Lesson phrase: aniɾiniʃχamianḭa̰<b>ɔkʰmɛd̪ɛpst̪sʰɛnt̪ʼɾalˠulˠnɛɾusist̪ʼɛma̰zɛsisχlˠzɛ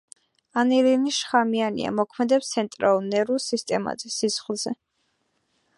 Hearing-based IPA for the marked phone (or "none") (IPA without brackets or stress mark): m